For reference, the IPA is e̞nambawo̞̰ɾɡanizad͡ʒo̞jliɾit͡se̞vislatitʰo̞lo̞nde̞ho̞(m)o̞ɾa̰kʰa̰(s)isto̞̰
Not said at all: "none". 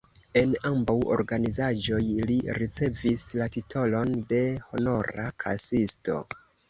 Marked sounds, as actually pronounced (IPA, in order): n, s

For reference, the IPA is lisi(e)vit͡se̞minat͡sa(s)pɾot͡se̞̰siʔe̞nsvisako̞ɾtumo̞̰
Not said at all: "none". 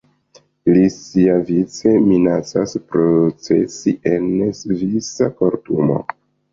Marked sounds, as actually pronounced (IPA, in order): a, s

